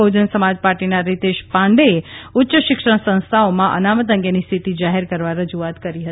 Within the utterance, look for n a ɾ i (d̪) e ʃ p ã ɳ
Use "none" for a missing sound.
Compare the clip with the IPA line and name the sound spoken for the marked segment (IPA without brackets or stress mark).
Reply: t̪